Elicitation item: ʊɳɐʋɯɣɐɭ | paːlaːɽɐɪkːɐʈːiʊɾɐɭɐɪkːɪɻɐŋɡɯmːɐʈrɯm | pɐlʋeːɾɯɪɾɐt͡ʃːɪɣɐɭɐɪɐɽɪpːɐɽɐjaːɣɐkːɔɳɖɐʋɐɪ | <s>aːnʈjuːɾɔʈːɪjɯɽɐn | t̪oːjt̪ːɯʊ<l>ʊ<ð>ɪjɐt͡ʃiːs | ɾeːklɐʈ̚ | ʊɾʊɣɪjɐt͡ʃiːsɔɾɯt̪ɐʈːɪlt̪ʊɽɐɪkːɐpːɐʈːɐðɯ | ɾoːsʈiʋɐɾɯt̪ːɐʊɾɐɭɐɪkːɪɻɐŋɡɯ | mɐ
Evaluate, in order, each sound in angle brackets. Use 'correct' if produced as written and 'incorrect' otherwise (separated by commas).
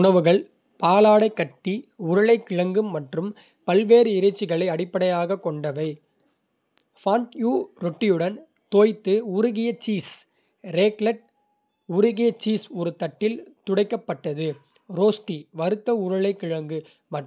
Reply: incorrect, incorrect, incorrect